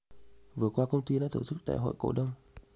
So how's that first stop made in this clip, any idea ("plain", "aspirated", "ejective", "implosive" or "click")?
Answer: plain